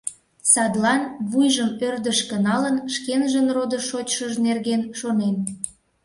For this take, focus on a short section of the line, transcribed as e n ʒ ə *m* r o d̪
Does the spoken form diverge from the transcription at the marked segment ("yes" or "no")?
yes